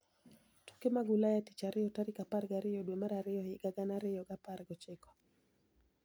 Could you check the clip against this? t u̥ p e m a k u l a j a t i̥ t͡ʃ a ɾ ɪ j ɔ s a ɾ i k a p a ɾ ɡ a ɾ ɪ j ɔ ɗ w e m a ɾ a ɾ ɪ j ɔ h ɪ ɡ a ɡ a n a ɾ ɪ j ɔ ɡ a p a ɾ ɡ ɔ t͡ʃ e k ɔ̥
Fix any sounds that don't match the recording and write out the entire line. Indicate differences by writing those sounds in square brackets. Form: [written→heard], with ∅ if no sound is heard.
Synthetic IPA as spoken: t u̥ [p→k] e m a [k→ɡ] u l a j a t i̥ t͡ʃ a ɾ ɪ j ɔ [s→t] a ɾ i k a p a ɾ ɡ a ɾ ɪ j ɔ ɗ w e m a ɾ a ɾ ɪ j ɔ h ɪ ɡ a ɡ a n a ɾ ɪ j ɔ ɡ a p a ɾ ɡ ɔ t͡ʃ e k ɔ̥